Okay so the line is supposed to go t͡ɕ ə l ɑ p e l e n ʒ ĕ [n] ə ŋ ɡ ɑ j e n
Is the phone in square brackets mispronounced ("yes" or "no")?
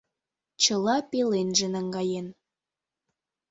no